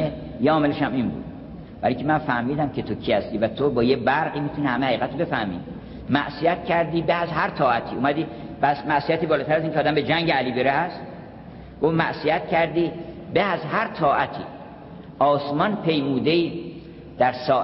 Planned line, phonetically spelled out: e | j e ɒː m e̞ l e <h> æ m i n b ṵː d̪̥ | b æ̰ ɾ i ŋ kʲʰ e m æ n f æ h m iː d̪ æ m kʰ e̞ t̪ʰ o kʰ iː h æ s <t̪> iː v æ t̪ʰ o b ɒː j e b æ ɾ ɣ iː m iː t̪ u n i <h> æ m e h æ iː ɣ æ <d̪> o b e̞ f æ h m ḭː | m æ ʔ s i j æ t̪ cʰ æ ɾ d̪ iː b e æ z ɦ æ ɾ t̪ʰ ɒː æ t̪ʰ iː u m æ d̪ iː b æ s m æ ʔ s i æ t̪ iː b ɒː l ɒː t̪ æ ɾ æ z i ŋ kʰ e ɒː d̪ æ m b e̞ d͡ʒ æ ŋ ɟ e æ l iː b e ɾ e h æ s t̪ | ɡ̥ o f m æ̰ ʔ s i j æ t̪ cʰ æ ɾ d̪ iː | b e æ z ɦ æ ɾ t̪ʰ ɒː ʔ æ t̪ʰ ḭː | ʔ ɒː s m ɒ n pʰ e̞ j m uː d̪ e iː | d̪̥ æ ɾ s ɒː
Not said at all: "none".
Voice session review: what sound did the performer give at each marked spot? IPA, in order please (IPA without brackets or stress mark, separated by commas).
ʃ, t̪, h, t̪